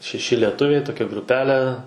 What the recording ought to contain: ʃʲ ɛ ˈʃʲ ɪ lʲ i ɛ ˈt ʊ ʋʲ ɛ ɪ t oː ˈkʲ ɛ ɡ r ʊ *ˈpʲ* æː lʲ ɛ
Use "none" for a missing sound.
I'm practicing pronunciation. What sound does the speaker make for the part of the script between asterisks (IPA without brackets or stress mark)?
pʲ